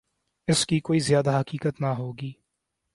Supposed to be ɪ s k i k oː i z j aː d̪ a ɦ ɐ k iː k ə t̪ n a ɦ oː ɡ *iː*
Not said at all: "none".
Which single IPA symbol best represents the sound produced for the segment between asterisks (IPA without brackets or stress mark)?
iː